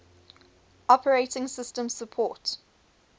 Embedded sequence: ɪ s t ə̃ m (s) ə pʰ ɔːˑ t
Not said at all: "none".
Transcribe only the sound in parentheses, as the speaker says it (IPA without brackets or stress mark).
s